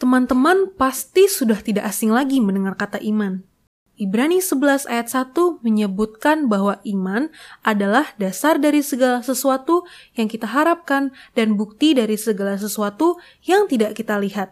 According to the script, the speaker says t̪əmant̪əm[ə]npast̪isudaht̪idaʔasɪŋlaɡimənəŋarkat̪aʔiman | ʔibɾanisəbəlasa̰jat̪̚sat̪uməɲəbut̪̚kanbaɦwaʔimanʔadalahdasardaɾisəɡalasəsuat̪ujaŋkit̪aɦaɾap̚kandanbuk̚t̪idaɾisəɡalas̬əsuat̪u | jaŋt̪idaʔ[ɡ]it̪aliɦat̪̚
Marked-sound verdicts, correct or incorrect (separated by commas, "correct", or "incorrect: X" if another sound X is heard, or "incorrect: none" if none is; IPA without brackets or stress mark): incorrect: a, incorrect: k